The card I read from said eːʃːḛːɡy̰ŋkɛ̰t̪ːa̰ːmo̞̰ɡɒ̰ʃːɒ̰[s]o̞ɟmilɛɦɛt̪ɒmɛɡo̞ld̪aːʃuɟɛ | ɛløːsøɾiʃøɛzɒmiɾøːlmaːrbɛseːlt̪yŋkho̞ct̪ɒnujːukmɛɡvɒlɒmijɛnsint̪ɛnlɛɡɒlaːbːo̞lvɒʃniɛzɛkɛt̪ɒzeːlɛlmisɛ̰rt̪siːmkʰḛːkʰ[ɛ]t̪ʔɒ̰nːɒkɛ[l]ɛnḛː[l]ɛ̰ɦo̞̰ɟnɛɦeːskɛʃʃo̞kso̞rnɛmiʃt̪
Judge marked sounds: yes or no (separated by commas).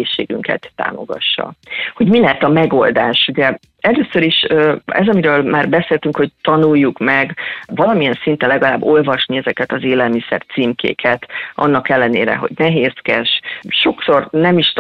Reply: no, yes, no, no